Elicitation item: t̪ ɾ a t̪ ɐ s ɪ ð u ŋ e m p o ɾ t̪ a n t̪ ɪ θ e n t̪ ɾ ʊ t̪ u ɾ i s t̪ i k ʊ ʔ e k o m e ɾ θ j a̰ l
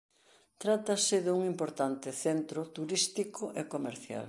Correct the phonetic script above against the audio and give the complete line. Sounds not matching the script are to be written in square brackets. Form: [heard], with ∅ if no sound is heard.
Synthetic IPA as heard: t̪ ɾ a t̪ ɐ s ɪ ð u ŋ [i] m p o ɾ t̪ a n t̪ ɪ θ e n t̪ ɾ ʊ t̪ u ɾ i s t̪ i k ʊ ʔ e k o m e ɾ θ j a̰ l

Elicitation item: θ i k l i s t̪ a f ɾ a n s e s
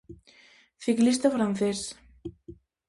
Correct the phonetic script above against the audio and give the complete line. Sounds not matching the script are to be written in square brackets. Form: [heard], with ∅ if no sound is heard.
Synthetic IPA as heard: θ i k l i s t̪ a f ɾ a n [θ] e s

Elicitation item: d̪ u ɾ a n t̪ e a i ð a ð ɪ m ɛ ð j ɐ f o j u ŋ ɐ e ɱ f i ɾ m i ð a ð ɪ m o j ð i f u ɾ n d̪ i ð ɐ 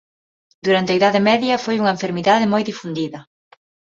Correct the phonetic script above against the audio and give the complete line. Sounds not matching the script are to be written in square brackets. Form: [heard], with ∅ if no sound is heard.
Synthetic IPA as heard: d̪ u ɾ a n t̪ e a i ð a ð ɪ m ɛ ð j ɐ f o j u ŋ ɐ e ɱ f [e] ɾ m i ð a ð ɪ m o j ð i f u [∅] n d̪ i ð ɐ

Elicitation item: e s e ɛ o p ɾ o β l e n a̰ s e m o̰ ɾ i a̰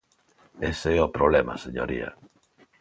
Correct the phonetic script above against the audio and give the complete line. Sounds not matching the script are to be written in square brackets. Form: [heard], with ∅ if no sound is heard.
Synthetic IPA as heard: e s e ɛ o p ɾ o β l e [m] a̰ s e [ɲ] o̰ ɾ i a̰

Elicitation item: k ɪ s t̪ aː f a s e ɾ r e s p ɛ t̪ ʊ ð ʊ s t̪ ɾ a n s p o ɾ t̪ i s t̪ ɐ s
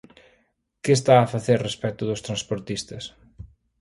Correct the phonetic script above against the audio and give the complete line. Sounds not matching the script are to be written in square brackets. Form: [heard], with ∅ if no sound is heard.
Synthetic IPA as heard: k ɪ s t̪ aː f a [θ] e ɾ r e s p ɛ t̪ ʊ ð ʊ s t̪ ɾ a n s p o ɾ t̪ i s t̪ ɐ s

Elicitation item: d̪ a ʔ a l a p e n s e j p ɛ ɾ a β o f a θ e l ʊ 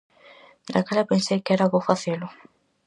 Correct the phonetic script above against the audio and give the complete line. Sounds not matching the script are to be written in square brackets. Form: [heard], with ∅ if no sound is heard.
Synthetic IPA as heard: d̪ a [k] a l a p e n s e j [k] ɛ ɾ a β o f a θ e l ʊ

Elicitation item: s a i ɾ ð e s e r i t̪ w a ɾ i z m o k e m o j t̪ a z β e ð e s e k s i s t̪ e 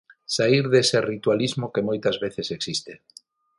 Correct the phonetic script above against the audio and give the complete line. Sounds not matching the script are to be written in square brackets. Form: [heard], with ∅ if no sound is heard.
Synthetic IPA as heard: s a i ɾ ð e s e r i t̪ w a [l] i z m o k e m o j t̪ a z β e [θ] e s e k s i s t̪ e

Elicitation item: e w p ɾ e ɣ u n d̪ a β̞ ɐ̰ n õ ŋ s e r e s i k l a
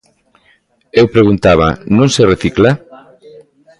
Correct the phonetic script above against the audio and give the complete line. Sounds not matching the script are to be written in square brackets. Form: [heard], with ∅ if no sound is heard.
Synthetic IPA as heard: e w p ɾ e ɣ u n [t̪] a β̞ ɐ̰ n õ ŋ s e r e [θ] i k l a

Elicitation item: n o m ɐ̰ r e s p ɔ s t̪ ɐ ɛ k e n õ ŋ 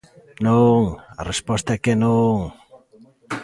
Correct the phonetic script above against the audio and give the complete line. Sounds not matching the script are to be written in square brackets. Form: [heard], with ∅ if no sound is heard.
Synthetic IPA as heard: n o [ŋ] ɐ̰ r e s p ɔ s t̪ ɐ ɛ k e n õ ŋ

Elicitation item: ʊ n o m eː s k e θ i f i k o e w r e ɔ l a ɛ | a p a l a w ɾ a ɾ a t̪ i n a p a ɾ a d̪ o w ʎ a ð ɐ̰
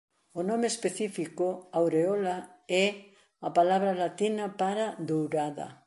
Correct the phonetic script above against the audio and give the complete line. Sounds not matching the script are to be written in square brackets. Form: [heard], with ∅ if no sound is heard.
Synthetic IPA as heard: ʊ n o m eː s [p] e θ i f i k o [a] w [ɾ] e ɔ l a ɛ | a p a l a [β] ɾ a [l] a t̪ i n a p a ɾ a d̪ o w [ɾ] a ð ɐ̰

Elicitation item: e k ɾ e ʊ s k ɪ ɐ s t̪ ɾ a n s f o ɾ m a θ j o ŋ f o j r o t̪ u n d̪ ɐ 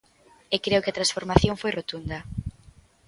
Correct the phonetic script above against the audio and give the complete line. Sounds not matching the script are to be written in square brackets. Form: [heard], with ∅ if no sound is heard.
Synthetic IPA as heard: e k ɾ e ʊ [∅] k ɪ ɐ [∅] t̪ ɾ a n s f o ɾ m a θ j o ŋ f o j r o t̪ u n d̪ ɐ

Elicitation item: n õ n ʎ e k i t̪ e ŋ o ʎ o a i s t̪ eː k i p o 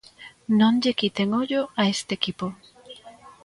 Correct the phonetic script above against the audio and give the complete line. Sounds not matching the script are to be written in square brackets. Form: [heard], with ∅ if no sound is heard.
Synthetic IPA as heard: n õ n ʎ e k i t̪ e ŋ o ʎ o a [e] s t̪ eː k i p o

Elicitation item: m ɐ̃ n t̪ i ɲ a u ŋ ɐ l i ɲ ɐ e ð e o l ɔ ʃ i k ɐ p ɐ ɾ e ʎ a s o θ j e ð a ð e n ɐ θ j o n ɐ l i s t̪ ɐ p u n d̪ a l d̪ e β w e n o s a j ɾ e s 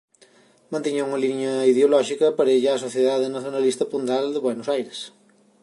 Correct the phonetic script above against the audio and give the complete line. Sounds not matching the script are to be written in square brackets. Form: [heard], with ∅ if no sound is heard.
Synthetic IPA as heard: m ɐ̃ n t̪ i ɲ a u ŋ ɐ l i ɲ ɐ [i] ð e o l ɔ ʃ i k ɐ p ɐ ɾ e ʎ a s o θ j e ð a ð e n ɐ θ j o n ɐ l i s t̪ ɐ p u n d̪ a l d̪ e β w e n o s a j ɾ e s

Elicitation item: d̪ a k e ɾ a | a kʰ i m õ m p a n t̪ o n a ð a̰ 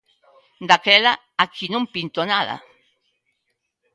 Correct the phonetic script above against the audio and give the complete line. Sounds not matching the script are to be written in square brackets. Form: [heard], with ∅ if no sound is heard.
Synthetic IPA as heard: d̪ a k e [l] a | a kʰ i [n] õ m p [i] n t̪ o n a ð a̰

